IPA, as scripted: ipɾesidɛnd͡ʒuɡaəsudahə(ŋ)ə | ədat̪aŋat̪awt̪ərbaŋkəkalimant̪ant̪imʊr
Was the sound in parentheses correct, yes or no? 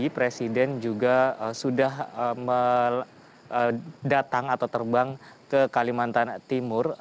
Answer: no